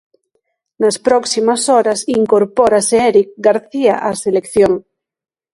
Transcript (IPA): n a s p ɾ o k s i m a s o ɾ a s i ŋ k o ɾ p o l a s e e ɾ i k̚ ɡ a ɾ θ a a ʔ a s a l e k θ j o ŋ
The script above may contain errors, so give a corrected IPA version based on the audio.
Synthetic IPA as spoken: n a s p ɾ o k s i m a s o ɾ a s i ŋ k o ɾ p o ɾ a s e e ɾ i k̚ ɡ a ɾ θ i a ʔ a s e l e k θ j o ŋ